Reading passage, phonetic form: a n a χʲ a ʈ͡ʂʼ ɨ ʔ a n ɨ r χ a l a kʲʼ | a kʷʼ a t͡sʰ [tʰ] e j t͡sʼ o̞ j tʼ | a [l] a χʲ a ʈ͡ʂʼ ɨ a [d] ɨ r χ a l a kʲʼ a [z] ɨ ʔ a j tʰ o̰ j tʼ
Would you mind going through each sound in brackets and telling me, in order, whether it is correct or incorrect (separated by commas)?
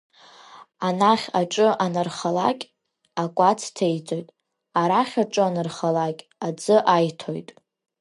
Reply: correct, incorrect, incorrect, incorrect